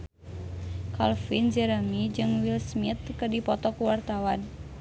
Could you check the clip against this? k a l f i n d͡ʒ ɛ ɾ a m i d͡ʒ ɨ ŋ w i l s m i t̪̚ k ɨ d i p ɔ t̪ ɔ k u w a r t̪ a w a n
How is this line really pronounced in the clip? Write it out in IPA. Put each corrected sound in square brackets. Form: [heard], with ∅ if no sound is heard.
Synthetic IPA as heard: k a l f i n d͡ʒ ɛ ɾ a m i d͡ʒ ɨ ŋ w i l s m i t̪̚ k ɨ d i p ɔ t̪ ɔ k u w a r t̪ a w a n